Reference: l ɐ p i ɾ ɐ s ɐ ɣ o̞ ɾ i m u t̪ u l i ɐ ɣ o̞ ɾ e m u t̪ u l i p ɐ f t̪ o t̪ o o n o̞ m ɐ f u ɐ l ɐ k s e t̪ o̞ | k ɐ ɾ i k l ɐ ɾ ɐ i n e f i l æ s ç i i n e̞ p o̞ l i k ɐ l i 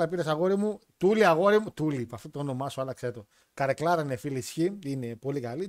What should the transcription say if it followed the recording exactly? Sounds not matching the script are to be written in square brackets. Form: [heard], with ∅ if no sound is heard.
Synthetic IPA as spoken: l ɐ p i ɾ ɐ s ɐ ɣ o̞ ɾ i m u t̪ u l i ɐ ɣ o̞ ɾ [i] m u t̪ u l i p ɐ f t̪ o t̪ o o n o̞ m ɐ [s] u ɐ l ɐ k s e t̪ o̞ | k ɐ ɾ [e] k l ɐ ɾ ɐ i n e f i l [i] s ç i i n e̞ p o̞ l i k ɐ l i